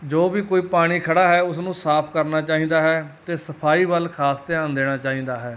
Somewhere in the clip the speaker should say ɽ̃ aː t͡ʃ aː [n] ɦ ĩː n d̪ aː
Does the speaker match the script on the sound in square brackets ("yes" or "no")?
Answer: no